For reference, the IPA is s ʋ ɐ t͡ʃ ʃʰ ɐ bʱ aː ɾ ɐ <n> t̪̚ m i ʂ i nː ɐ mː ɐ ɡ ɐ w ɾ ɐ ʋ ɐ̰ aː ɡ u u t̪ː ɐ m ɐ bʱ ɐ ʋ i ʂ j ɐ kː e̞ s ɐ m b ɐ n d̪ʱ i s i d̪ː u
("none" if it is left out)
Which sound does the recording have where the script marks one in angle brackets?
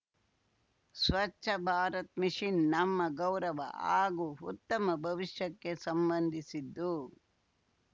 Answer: none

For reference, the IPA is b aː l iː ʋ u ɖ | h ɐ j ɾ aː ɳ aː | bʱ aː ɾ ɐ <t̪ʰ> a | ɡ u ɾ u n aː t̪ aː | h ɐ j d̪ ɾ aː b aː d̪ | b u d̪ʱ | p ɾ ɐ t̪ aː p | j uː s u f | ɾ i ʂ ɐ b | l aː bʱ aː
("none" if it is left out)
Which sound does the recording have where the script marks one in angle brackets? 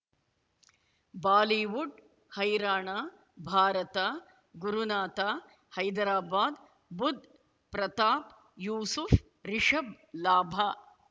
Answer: t̪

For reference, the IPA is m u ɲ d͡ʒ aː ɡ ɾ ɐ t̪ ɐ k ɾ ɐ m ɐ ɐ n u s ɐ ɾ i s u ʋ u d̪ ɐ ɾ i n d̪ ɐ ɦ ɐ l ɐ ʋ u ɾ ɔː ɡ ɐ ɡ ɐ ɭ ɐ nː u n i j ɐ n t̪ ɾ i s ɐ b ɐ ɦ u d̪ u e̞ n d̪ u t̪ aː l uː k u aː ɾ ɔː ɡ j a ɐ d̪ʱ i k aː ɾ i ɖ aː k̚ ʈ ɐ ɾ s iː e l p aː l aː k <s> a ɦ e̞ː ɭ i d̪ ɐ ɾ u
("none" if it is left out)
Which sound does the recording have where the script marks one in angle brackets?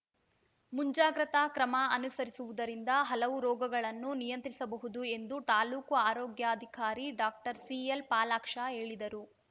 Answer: ʂ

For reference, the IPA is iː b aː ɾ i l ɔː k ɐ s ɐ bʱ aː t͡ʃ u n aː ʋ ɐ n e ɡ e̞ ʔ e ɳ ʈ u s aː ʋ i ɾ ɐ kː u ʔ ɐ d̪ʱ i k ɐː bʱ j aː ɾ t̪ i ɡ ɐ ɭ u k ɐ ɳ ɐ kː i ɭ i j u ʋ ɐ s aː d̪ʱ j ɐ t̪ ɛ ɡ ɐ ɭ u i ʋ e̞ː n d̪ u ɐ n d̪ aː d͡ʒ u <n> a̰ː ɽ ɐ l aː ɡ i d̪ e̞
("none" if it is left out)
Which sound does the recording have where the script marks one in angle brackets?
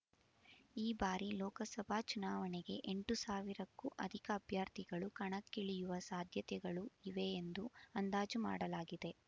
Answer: m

